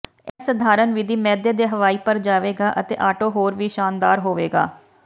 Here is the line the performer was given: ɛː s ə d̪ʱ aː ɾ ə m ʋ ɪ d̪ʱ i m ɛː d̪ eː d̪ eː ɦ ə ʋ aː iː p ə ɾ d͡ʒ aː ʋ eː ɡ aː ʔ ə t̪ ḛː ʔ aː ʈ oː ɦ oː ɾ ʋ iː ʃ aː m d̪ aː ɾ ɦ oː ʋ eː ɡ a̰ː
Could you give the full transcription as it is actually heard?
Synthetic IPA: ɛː s ə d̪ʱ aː ɾ ə n ʋ ɪ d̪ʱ iː m ɛː d̪ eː d̪ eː ɦ ə ʋ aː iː p ə ɾ d͡ʒ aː ʋ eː ɡ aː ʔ ə t̪ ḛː ʔ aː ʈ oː ɦ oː ɾ ʋ iː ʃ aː n d̪ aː ɾ ɦ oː ʋ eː ɡ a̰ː

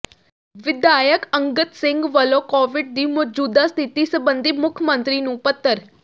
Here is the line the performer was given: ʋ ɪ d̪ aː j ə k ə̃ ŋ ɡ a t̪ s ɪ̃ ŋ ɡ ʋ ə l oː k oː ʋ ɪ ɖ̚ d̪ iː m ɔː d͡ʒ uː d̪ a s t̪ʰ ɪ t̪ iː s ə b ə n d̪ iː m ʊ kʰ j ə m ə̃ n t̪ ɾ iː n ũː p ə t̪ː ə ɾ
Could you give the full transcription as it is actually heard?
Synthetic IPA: ʋ ɪ d̪ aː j ə k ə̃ ŋ ɡ ə t̪ s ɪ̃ ŋ ɡ ʋ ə l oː k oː ʋ ɪ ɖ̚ d̪ iː m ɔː d͡ʒ uː d̪ a s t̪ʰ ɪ t̪ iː s ə b ə n d̪ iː m ʊ kʰ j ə m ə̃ n t̪ ɾ iː n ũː p ə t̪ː ə ɾ

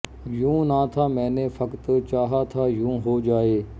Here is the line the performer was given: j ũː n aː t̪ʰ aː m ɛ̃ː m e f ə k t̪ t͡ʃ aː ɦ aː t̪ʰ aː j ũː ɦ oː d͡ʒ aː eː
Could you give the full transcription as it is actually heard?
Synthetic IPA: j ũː n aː t̪ʰ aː m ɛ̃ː n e f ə k t̪ t͡ʃ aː ɦ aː t̪ʰ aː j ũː ɦ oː d͡ʒ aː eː

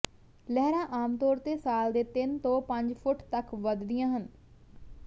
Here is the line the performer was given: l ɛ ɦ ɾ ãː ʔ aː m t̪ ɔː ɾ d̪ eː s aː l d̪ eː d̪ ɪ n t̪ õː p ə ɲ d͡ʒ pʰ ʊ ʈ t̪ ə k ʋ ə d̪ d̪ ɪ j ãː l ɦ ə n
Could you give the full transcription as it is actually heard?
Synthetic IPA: l ɛ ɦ ɾ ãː ʔ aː m t̪ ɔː ɾ t̪ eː s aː l d̪ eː t̪ ɪ n t̪ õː p ə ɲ d͡ʒ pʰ ʊ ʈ t̪ ə k ʋ ə d̪ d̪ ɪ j ãː ɦ ə n

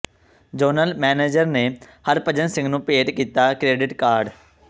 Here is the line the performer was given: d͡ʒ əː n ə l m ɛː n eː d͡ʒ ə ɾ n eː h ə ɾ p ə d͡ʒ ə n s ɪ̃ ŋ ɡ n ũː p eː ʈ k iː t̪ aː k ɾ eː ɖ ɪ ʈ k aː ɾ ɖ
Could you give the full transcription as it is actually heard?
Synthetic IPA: d͡ʒ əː n ə l m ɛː n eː d͡ʒ ə ɾ n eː h ə ɾ p ə d͡ʒ ə n s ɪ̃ ŋ ɡ n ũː p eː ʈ k iː t̪ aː k ɾ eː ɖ ɪ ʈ k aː ɾ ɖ

